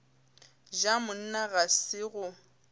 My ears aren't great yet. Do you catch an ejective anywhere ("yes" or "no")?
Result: no